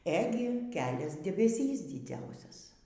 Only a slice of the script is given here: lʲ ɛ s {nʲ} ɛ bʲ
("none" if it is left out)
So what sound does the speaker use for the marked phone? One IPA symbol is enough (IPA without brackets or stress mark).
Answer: dʲ